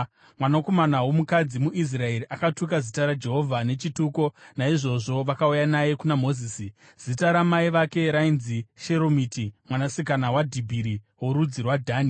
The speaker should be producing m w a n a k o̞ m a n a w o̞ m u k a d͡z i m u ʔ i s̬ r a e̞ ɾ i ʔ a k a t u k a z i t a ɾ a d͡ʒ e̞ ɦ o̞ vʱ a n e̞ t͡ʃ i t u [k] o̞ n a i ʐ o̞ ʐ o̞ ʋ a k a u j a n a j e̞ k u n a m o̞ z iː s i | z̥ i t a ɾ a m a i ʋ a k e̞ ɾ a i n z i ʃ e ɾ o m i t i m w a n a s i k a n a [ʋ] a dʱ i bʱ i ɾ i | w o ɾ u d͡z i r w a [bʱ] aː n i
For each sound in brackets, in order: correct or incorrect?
correct, incorrect: w, incorrect: dʱ

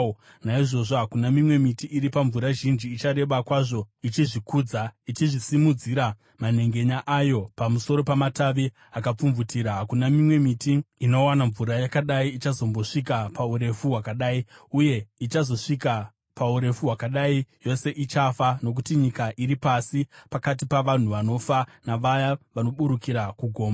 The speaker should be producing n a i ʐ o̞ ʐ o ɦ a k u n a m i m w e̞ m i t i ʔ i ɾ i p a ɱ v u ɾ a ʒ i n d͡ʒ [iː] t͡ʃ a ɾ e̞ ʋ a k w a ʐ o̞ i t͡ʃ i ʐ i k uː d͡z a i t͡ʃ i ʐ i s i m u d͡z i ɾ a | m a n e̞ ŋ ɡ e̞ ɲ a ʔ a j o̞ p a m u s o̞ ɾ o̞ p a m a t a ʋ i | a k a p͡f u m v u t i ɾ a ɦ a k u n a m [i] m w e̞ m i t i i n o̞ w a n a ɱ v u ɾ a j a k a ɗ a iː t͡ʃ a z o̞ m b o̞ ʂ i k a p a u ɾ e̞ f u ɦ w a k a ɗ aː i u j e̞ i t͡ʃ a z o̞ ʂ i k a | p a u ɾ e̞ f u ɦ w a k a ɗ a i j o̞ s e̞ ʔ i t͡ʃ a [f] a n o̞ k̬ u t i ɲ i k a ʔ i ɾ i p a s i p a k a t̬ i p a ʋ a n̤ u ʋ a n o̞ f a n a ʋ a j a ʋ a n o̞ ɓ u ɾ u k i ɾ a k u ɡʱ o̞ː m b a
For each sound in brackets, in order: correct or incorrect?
correct, correct, correct

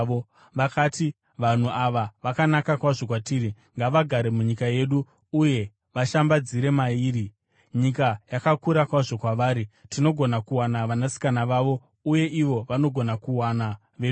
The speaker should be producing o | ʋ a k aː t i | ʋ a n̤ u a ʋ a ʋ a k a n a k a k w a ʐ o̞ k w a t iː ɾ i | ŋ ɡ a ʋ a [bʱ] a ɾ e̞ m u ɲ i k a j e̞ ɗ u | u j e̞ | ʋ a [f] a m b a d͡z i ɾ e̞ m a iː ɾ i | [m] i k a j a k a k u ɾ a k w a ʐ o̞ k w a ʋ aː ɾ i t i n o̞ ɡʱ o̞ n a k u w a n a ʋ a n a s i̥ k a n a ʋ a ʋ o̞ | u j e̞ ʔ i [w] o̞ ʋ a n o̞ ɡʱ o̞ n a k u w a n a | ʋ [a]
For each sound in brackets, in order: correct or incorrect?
incorrect: ɡʱ, incorrect: ʃ, incorrect: ɲ, incorrect: ʋ, incorrect: e

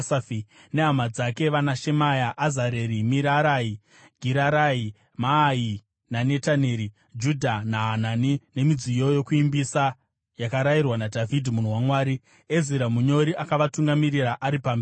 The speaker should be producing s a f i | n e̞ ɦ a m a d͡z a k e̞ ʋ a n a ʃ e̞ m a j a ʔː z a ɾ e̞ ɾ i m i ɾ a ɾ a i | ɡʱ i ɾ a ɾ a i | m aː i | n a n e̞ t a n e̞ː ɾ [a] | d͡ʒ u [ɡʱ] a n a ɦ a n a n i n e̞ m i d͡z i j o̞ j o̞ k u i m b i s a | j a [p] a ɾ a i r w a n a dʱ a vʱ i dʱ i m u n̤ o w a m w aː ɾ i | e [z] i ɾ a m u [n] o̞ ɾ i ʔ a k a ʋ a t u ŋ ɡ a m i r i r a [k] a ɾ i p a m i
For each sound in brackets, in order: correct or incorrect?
incorrect: i, incorrect: dʱ, incorrect: k, correct, incorrect: ɲ, incorrect: ʔ

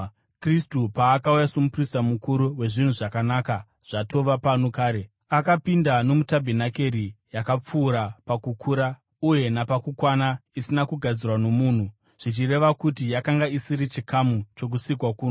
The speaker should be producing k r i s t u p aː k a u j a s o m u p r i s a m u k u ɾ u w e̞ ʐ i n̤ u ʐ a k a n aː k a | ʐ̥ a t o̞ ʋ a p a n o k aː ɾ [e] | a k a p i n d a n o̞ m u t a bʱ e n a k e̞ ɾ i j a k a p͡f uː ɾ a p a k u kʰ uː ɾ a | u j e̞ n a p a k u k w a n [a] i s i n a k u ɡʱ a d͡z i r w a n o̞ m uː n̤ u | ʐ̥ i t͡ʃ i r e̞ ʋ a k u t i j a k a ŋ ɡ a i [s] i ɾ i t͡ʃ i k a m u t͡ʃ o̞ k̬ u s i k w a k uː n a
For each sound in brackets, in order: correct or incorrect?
correct, correct, correct

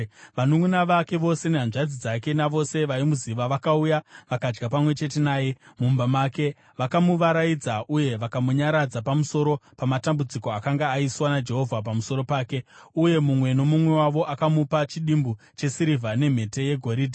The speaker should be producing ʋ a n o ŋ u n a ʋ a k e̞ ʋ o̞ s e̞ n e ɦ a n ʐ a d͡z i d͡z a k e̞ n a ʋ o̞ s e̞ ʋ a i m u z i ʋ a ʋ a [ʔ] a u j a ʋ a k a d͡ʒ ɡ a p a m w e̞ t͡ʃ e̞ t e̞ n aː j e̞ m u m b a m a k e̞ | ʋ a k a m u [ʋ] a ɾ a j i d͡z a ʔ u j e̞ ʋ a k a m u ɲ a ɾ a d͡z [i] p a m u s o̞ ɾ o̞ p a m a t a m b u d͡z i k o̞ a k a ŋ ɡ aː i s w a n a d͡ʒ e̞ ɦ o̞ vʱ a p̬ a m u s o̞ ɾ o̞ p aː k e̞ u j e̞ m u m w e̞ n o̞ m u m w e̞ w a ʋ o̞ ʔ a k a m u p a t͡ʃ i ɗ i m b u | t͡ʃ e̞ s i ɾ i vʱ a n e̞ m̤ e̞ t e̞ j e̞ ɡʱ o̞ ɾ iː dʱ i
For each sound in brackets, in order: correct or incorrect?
incorrect: k, correct, incorrect: a

